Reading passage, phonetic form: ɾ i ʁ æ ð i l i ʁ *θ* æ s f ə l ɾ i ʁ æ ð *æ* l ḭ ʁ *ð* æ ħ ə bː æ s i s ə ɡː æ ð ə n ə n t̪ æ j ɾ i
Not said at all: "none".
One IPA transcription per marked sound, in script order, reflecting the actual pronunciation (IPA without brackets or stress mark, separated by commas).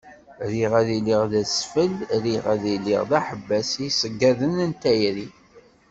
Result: ð, i, ð